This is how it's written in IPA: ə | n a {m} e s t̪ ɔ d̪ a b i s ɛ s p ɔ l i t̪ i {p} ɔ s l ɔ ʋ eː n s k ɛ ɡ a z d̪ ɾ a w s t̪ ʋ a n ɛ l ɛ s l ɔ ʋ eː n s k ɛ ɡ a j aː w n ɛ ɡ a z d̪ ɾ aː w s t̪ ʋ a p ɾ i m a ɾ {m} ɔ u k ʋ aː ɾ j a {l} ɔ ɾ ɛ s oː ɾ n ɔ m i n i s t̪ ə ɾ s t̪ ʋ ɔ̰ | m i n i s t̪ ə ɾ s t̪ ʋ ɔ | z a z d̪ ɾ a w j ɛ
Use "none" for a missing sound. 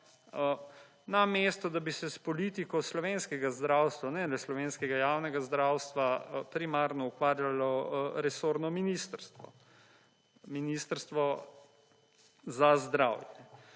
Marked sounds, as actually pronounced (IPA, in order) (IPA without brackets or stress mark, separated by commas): m, k, n, l